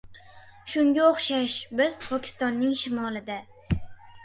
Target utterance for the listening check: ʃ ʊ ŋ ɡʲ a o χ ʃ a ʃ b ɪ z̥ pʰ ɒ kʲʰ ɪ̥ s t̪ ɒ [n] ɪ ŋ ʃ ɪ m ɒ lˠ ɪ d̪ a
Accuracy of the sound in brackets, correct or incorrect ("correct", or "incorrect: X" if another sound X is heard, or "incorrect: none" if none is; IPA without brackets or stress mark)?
incorrect: nː